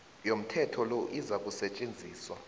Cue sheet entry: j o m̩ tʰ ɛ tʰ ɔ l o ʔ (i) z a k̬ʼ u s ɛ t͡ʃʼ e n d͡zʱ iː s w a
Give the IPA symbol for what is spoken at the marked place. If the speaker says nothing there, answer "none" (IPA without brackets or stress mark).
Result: i